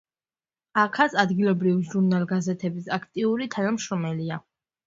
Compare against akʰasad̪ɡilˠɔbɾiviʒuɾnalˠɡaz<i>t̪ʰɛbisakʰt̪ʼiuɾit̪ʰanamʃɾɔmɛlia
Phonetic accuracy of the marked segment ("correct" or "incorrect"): incorrect